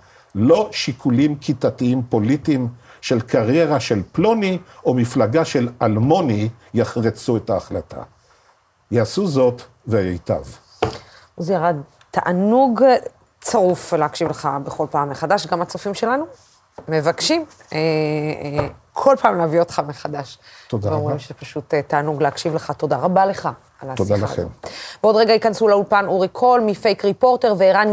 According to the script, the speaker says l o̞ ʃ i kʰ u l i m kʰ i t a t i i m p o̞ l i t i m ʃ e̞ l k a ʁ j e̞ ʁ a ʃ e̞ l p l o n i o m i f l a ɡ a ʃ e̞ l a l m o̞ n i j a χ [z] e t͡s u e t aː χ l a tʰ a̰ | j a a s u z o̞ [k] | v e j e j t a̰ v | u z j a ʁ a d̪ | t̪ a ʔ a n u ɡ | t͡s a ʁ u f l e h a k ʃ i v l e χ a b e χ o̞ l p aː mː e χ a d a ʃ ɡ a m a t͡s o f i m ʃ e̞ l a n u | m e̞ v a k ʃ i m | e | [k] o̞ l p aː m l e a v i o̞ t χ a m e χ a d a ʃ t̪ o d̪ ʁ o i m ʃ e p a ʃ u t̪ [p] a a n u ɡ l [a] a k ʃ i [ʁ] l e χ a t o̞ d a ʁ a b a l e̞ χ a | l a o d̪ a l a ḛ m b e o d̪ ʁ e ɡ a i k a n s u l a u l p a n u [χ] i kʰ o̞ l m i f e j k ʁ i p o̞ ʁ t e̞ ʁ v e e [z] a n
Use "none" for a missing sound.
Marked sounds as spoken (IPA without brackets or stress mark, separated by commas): ʁ, t, kʰ, t, e, v, ʁ, ʁ